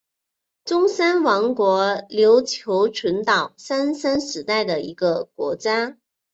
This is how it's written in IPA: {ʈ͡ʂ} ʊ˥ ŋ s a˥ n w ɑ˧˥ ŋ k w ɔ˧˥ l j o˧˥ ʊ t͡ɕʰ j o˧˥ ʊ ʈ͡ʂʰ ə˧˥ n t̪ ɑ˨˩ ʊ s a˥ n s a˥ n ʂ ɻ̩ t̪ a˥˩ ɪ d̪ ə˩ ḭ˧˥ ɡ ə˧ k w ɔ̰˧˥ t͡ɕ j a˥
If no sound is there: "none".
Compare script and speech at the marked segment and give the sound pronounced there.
ʈ͡ʂ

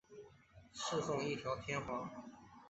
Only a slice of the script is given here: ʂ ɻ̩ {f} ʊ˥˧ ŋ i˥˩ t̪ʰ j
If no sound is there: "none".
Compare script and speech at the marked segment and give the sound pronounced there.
f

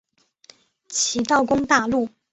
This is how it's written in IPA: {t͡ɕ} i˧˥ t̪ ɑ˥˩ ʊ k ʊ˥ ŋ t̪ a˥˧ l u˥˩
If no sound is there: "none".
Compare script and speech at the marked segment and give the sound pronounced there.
t͡ɕʰ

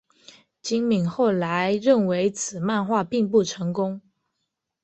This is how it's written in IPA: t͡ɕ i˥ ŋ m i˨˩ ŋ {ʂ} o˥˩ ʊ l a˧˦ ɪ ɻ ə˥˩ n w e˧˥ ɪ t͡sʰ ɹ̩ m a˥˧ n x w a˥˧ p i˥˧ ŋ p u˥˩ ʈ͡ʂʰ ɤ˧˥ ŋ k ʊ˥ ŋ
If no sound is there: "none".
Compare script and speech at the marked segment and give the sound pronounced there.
x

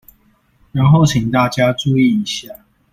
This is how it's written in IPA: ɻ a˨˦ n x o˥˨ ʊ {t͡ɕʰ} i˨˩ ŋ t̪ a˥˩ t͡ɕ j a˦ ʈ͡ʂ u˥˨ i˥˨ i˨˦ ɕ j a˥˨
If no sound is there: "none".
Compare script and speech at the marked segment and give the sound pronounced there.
t͡ɕʰ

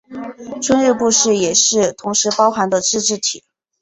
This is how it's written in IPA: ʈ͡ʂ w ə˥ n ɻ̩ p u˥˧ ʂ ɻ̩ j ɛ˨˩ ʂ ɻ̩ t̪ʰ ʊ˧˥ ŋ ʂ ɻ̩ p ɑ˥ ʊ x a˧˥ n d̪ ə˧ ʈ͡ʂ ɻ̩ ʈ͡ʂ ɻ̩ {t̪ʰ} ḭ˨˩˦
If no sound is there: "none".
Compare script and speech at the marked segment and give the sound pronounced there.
t̪ʰ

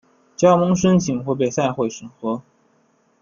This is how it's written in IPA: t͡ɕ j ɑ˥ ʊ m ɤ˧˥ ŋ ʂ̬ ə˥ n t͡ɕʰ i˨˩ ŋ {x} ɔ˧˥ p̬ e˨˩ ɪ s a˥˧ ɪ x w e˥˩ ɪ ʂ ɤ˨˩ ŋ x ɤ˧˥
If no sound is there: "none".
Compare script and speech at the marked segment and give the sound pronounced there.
x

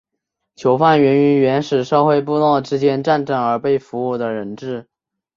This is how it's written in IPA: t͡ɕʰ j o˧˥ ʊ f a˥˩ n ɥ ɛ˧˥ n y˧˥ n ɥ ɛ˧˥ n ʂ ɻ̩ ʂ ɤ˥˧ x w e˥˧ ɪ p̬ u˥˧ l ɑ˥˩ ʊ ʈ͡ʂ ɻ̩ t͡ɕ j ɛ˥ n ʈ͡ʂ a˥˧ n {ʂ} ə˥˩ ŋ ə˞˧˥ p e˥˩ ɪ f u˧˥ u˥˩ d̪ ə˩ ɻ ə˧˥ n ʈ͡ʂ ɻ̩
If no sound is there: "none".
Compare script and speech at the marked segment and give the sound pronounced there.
ʈ͡ʂ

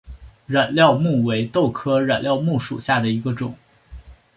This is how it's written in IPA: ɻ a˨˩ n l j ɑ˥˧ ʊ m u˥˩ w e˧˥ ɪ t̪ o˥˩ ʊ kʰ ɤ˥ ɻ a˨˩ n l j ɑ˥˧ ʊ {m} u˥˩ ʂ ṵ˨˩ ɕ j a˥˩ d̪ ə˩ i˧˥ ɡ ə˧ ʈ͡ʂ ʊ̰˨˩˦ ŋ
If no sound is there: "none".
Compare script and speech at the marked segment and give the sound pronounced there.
m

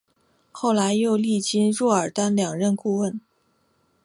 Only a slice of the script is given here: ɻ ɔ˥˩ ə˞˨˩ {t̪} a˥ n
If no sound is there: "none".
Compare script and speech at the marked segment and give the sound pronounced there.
t̪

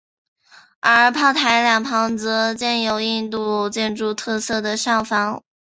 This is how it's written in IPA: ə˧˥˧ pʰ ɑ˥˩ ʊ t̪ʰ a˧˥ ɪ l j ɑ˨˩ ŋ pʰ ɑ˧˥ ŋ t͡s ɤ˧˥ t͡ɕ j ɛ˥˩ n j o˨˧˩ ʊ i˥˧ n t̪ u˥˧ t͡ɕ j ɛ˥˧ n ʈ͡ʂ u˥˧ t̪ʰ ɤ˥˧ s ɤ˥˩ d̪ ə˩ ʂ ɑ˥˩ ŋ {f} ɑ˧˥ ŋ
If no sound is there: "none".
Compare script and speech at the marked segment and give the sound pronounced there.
f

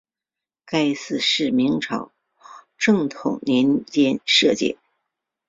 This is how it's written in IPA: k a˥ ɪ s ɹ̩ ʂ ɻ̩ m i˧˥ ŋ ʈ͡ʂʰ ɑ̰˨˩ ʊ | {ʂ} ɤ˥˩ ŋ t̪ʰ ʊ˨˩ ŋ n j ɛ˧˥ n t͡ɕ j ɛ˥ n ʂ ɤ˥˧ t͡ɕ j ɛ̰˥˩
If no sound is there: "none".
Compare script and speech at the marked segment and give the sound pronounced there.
ʈ͡ʂ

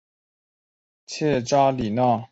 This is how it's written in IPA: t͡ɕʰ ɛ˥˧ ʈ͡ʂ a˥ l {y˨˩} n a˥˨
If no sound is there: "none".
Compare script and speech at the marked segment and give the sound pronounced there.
i˨˩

